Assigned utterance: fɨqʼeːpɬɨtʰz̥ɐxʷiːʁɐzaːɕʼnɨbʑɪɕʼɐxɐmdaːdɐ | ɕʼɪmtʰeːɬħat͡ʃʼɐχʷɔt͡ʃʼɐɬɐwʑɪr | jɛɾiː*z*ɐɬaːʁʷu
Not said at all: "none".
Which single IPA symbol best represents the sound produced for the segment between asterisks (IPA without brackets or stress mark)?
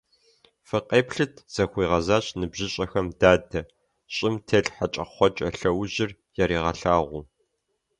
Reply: ʁ